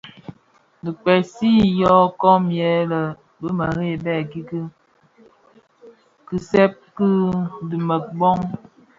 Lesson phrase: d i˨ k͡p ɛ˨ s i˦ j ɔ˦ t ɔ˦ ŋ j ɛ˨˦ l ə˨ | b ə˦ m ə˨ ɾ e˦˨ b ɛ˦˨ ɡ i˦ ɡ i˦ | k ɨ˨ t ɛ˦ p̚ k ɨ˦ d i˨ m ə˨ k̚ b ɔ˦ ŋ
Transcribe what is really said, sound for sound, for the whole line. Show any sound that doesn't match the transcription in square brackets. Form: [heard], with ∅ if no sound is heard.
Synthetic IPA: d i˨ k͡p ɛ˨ s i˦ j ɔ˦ [k] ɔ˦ [m] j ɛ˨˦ l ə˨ | b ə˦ m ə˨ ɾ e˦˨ b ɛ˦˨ ɡ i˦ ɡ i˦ | k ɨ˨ [s] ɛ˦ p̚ k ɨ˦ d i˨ m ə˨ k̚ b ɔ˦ ŋ